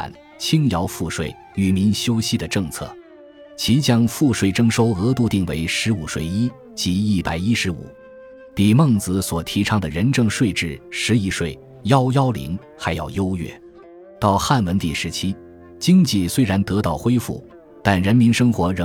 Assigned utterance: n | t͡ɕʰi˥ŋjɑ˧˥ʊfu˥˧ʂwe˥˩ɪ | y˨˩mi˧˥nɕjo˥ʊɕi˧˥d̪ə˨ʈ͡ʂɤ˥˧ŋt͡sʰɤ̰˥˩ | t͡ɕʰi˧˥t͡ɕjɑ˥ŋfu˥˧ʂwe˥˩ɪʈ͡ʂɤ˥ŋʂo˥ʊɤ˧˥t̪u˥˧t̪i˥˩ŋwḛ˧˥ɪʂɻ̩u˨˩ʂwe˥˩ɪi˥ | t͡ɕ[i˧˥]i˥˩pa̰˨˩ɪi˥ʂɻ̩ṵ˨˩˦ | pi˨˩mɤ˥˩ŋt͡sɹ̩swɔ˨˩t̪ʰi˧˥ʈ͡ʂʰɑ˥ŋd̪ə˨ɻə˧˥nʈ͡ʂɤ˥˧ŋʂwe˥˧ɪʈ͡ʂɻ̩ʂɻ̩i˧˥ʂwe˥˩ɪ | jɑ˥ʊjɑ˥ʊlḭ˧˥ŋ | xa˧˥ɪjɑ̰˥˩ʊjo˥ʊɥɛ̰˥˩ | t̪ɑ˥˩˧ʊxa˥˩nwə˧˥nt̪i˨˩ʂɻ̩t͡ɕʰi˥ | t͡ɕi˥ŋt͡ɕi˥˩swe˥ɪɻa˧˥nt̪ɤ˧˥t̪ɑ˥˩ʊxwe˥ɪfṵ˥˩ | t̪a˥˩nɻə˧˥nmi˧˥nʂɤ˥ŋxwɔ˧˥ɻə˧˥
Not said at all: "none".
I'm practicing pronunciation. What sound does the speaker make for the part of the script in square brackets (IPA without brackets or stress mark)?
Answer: i˧˥